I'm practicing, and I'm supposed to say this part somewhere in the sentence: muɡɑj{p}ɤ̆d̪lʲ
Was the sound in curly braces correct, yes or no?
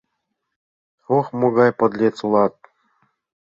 yes